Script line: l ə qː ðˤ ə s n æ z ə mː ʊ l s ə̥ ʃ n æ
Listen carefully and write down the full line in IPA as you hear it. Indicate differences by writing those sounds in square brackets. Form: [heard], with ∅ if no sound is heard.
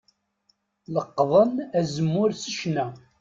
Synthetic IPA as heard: l ə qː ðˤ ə [∅] n æ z ə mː ʊ [ɾ] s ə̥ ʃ n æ